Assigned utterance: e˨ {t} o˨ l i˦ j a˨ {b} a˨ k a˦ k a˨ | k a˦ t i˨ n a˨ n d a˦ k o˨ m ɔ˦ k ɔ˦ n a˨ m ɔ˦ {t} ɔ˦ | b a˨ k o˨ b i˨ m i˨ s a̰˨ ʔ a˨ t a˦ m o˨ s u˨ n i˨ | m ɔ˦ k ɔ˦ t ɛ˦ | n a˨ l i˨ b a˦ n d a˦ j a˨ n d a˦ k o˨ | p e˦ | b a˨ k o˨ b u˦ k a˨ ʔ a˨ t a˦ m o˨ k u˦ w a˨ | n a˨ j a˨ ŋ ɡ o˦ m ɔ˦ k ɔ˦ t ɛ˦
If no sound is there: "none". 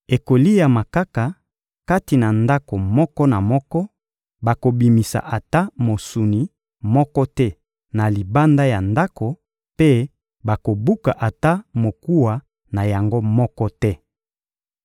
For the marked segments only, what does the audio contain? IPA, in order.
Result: k, m, k

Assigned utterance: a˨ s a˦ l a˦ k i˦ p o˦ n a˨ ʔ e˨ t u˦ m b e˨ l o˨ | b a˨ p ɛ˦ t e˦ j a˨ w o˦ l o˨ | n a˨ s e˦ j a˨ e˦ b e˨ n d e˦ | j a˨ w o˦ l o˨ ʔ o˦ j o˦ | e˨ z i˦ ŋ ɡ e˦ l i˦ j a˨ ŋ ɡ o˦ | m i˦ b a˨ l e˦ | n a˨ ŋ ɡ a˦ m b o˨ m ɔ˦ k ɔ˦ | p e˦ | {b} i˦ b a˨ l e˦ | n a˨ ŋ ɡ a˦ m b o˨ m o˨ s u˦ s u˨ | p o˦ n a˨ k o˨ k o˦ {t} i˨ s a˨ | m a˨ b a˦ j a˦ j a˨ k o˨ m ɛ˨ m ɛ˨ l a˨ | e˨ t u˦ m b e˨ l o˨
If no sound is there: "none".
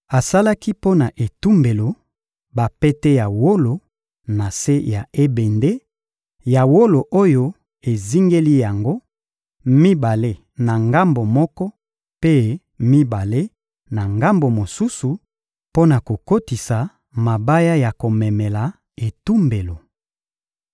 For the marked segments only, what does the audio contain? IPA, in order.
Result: m, t

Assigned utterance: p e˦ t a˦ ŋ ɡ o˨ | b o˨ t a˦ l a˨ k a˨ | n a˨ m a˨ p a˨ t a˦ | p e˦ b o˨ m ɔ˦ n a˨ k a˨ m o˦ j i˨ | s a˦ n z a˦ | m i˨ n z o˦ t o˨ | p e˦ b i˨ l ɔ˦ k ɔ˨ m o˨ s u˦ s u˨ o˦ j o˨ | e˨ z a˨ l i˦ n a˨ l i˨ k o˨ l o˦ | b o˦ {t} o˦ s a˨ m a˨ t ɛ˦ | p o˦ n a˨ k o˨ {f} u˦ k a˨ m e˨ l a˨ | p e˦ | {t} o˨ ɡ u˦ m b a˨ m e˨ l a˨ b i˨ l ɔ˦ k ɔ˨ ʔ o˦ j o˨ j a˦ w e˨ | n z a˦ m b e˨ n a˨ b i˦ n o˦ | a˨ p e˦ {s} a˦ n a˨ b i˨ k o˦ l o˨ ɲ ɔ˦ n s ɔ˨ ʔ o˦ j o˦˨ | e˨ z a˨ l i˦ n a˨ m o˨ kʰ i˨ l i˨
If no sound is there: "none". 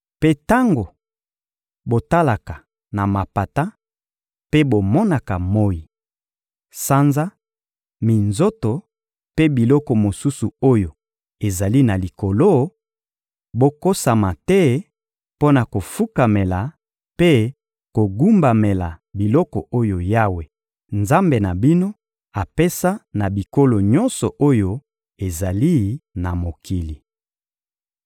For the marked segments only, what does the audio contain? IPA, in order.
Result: k, f, k, s

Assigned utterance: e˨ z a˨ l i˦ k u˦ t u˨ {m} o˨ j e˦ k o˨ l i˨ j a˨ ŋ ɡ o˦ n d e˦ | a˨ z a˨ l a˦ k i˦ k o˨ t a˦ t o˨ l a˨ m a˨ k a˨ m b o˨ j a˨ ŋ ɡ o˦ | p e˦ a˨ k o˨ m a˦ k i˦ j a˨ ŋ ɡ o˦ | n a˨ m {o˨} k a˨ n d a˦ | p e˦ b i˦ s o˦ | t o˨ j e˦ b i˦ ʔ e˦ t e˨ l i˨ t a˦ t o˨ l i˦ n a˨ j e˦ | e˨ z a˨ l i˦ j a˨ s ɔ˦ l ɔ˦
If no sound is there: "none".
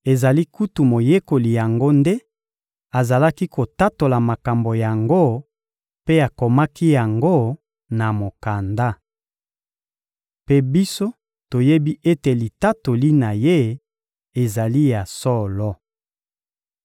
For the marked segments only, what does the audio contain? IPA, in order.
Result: m, o˨

